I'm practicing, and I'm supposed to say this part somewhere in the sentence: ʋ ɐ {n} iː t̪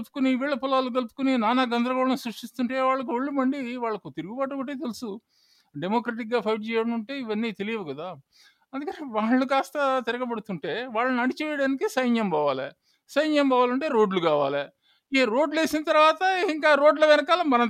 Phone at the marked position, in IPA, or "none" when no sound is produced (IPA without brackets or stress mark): nː